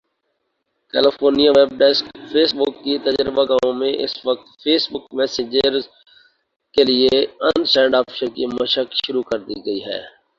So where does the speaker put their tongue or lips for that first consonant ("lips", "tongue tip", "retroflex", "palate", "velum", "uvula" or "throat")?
velum